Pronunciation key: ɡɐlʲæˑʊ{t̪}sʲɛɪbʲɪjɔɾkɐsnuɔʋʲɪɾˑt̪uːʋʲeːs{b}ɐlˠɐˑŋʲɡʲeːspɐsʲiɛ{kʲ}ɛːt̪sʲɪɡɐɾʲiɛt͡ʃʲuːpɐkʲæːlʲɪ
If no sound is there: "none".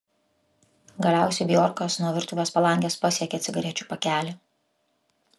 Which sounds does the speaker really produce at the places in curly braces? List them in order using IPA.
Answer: none, p, kʲ

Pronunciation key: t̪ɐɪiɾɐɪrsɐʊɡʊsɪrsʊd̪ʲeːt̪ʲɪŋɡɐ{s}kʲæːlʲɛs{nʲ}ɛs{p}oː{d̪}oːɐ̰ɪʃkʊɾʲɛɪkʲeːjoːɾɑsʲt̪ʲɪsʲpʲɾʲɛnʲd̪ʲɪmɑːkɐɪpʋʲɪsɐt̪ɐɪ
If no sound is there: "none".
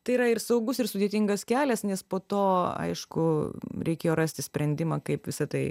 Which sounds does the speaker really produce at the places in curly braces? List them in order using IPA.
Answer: s, nʲ, p, t̪

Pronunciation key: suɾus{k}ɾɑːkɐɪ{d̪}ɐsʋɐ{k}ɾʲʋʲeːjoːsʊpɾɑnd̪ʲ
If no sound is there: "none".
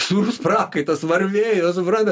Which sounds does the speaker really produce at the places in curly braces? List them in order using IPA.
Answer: p, t̪, none

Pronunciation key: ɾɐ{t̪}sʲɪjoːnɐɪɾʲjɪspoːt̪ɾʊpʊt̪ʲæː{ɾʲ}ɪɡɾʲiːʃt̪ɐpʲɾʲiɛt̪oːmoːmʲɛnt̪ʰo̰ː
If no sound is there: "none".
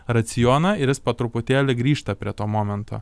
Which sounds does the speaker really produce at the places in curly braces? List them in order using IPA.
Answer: t̪, lʲ

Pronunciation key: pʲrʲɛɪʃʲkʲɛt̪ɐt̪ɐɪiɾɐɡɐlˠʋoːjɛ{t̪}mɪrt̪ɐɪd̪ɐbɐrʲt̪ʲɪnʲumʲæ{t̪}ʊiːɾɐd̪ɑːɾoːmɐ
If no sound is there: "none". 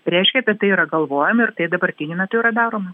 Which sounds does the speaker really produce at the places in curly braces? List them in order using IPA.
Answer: none, t̪

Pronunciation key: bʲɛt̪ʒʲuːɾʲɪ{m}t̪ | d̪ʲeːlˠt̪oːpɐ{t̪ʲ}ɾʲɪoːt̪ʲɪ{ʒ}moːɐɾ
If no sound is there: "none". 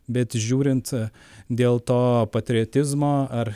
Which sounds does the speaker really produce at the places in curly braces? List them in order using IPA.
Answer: n, t̪ʲ, z

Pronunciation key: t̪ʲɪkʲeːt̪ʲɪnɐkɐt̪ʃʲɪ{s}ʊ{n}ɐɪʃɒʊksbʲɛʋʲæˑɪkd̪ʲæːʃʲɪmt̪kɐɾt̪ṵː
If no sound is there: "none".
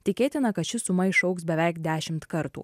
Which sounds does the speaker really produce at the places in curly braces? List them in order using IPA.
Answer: s, m

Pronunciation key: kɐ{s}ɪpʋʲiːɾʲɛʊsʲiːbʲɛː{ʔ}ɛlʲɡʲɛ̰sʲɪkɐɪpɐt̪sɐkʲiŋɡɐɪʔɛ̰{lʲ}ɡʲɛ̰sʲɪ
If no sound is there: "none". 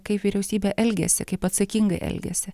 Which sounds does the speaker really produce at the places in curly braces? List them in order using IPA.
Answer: none, ʔ, lʲ

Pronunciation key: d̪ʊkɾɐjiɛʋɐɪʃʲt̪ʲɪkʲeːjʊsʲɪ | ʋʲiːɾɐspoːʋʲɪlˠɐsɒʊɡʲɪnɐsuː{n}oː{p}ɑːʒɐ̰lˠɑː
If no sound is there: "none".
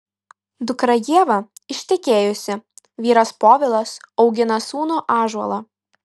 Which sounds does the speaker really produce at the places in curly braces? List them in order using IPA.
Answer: n, ʔ

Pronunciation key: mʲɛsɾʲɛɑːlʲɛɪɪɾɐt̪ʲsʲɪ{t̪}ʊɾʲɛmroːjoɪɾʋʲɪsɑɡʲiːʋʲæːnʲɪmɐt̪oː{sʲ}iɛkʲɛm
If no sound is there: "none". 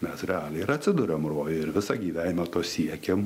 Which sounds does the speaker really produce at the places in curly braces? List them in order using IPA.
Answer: d̪, sʲ

